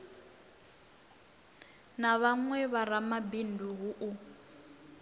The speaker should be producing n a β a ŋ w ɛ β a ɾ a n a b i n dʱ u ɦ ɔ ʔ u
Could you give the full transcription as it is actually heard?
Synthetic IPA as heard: n a β a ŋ w ɛ β a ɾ a m a b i n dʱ u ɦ u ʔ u